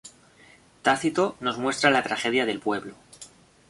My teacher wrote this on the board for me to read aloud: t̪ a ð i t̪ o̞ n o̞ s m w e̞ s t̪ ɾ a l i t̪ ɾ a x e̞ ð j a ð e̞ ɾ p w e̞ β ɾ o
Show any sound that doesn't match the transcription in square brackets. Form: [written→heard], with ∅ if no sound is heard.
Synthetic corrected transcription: t̪ a [ð→θ] i t̪ o̞ n o̞ [s→z] m w e̞ s t̪ ɾ a l [i→a] t̪ ɾ a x e̞ ð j a ð e̞ [ɾ→l] p w e̞ β [ɾ→l] o